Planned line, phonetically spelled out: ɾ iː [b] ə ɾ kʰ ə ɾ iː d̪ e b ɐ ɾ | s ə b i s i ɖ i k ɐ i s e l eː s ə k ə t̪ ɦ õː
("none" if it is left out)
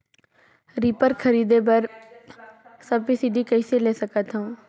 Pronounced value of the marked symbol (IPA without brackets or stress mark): p